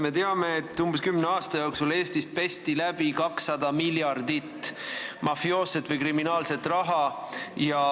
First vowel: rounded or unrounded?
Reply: unrounded